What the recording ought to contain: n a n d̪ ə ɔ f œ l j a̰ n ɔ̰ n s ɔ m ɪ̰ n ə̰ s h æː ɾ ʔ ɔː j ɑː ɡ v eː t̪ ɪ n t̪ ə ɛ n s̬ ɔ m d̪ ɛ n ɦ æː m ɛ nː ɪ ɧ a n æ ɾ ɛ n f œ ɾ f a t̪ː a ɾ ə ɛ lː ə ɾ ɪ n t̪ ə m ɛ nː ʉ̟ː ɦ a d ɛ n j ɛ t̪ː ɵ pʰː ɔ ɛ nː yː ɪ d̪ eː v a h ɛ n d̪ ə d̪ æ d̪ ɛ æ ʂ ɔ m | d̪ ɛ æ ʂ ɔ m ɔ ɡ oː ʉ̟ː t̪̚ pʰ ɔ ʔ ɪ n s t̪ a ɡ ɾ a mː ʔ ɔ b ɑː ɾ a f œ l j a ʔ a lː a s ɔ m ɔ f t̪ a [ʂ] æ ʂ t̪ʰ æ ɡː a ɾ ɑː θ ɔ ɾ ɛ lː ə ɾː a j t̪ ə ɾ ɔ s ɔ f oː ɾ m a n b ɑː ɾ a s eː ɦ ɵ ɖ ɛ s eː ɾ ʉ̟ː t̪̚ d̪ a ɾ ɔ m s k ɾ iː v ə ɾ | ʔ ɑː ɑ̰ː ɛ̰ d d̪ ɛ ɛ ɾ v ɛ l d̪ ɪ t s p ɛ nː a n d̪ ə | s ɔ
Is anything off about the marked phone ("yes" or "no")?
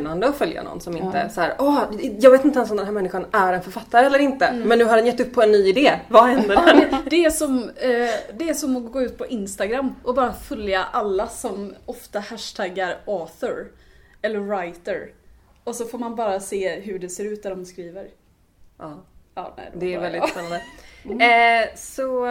yes